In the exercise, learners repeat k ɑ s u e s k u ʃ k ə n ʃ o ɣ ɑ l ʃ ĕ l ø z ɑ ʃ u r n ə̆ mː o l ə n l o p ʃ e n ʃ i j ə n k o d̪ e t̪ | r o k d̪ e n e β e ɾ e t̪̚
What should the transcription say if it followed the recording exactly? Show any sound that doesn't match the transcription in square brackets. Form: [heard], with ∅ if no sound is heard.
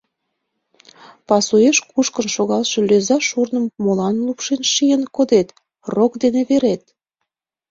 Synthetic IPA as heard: [p] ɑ s u e [ʃ] k u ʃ k ə n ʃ o ɣ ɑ l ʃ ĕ l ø z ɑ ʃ u r n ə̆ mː o l [ɑ] n l [u] p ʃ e n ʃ i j ə n k o d̪ e t̪ | r o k d̪ e n e β e ɾ e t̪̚